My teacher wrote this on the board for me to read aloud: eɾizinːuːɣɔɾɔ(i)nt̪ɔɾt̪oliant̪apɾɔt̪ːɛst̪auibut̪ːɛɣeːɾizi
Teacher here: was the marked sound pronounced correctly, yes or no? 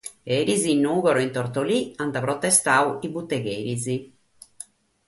yes